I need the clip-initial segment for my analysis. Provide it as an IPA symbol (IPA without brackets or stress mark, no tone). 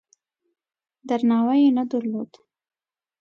d̪